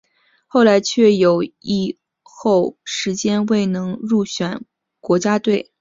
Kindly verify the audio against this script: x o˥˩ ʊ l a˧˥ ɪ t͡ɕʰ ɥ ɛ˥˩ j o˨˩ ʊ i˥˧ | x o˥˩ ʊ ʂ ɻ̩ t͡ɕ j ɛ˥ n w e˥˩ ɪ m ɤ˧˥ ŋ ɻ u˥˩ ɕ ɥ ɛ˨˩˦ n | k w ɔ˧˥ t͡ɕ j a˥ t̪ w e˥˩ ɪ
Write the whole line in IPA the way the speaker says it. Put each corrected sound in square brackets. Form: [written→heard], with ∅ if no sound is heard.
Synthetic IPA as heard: x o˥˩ ʊ l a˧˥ ɪ t͡ɕʰ ɥ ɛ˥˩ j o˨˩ ʊ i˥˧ | x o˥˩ ʊ ʂ ɻ̩ t͡ɕ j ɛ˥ n w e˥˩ ɪ [m→n] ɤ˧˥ ŋ ɻ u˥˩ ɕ ɥ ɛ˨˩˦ n | k w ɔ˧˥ t͡ɕ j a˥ t̪ w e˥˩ ɪ